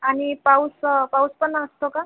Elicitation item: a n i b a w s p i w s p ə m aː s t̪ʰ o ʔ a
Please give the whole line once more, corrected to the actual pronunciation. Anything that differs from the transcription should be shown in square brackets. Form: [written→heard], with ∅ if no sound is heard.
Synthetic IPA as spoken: a n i [b→p] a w s p [i→a] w s p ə [m→n] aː s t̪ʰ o [ʔ→k] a